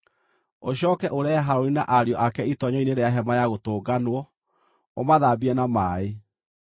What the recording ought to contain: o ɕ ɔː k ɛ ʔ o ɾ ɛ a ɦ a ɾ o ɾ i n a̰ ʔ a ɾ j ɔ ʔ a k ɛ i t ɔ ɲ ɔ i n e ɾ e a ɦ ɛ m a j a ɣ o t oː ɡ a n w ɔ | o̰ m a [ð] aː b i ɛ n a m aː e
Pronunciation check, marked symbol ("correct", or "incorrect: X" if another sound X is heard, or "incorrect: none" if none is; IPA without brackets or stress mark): correct